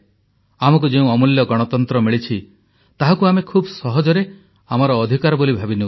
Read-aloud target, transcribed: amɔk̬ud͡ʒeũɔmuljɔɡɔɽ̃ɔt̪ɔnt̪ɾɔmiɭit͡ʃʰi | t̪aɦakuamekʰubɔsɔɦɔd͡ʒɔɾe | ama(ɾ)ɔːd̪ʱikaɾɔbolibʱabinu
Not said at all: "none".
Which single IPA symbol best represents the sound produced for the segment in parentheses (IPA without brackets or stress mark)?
ɾ